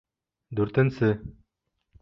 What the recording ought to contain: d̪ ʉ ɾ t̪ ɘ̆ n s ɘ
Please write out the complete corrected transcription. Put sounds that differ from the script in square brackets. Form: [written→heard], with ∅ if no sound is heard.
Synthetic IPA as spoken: d̪ ʉ ɾ t̪ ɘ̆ n s ɘ